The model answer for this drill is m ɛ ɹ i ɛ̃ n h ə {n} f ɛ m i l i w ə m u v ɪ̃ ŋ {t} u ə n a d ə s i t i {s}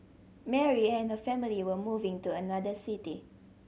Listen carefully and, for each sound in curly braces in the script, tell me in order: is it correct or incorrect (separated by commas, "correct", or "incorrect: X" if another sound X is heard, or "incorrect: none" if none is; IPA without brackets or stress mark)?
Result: incorrect: none, correct, incorrect: none